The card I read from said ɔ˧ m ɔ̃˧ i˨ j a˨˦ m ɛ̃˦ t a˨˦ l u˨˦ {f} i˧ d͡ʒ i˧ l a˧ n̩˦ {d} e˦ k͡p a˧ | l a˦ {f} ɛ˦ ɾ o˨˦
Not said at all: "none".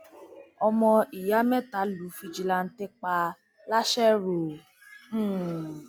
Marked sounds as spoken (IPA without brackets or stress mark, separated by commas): f, t, ʃ